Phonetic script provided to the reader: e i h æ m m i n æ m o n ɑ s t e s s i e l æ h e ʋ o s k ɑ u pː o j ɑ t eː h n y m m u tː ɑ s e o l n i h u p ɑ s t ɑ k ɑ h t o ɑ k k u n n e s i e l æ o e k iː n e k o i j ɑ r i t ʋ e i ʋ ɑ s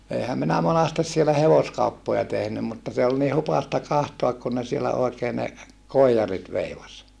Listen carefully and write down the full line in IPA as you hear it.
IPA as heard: e i h æ m m i n æ m o n ɑ s t e s s i e l æ h e ʋ o s k ɑ u pː o j ɑ t e h n y m m u tː ɑ s e o l n i h u p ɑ s t ɑ k ɑ h t o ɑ k k u n n e s i e l æ o e k eː n e k o i j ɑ r i t ʋ e i ʋ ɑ s